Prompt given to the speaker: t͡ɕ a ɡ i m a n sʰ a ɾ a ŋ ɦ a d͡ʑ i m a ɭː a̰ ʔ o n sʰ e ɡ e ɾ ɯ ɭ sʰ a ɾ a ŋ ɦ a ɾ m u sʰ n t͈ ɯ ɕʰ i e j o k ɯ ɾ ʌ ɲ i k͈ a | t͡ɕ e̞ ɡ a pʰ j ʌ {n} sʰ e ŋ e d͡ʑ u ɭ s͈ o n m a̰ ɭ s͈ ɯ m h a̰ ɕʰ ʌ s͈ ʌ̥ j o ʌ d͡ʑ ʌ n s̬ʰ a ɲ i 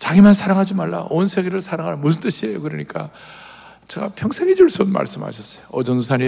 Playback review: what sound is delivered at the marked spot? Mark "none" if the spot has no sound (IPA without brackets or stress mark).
ŋ